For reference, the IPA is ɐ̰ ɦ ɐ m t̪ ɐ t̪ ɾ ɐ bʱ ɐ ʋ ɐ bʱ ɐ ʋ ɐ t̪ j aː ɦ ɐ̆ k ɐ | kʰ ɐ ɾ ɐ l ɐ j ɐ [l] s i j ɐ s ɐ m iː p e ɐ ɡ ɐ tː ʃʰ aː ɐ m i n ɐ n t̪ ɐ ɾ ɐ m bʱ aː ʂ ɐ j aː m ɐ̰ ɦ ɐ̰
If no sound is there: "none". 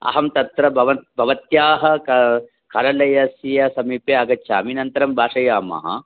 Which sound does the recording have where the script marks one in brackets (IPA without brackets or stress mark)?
none